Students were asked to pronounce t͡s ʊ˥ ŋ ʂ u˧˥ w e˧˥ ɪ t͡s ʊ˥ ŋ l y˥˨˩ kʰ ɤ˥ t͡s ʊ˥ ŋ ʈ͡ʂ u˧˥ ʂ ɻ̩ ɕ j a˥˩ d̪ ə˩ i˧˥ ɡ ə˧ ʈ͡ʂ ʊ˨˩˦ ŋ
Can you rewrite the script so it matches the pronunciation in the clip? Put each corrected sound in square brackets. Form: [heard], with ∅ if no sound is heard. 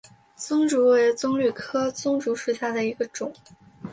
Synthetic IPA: t͡s ʊ˥ ŋ [ʈ͡ʂ] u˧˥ w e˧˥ ɪ t͡s ʊ˥ ŋ l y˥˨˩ kʰ ɤ˥ t͡s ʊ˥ ŋ ʈ͡ʂ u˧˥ ʂ ɻ̩ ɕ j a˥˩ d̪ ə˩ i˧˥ ɡ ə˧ ʈ͡ʂ ʊ˨˩˦ ŋ